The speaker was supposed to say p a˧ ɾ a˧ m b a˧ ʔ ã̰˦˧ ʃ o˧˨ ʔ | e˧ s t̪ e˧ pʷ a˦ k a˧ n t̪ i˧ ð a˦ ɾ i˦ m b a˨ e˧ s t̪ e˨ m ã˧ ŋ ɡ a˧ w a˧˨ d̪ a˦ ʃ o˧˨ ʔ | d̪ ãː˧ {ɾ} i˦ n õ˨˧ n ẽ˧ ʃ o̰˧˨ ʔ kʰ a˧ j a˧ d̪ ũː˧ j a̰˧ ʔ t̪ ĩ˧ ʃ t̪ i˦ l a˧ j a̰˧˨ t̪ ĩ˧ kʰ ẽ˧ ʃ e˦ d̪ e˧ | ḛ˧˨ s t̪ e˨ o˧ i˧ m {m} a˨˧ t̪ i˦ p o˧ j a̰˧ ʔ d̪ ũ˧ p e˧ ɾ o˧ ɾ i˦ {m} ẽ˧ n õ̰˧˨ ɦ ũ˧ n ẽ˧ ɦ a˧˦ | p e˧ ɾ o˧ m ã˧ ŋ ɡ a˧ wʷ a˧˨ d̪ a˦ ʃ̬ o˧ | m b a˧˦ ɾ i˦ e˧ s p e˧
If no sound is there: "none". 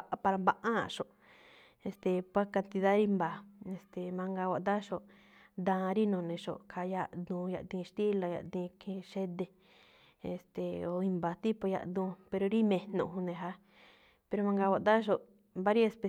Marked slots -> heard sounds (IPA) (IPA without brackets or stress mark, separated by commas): ɾ, b, m